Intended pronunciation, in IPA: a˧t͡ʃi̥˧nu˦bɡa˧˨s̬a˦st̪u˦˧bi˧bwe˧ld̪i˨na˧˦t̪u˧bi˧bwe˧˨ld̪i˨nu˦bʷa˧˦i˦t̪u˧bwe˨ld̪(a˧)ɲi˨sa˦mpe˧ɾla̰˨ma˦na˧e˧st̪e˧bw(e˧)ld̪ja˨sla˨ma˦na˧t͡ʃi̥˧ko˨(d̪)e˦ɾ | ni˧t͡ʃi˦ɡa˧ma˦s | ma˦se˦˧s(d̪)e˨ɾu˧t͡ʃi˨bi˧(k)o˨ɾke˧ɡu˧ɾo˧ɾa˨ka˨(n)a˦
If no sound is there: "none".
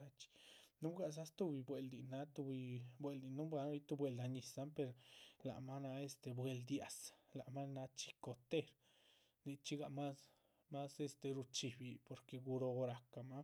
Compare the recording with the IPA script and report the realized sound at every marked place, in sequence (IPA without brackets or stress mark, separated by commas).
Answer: a˧, e˧, t̪, t̪, p, m